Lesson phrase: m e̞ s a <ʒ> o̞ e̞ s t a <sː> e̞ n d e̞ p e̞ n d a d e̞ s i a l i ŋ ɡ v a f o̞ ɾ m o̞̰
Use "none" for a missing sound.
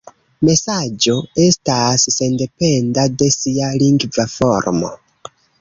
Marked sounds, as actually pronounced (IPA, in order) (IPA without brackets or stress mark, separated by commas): d͡ʒ, sː